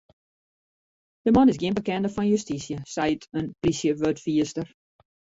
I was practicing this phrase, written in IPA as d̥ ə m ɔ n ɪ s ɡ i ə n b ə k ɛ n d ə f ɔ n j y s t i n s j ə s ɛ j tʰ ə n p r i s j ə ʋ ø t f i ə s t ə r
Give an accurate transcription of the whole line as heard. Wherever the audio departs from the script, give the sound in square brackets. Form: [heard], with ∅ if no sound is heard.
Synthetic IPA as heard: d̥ ə m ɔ n ɪ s ɡ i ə n b ə k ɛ n d ə f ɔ n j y s t i [∅] s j ə s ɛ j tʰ ə n p r i s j ə ʋ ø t f i ə s t ə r